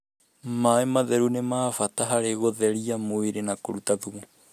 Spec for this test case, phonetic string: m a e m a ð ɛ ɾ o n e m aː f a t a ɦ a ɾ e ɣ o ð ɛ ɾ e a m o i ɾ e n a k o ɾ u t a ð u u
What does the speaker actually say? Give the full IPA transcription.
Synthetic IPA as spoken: m a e m a ð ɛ ɾ u n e m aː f a t a ɦ a ɾ e ɣ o ð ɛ ɾ i a m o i ɾ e n a k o ɾ u t a ð u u